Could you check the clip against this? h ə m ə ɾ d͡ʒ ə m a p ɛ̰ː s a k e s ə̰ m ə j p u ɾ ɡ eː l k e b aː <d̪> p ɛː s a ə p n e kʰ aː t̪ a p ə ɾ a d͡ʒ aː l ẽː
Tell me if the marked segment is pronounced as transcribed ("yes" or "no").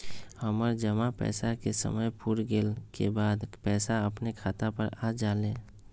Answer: yes